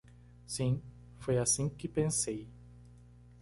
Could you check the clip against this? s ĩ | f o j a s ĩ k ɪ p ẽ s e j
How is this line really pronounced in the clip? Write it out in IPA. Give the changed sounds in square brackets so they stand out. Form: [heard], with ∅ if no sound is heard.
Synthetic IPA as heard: s ĩ | f o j a s ĩ k ɪ p ẽ s e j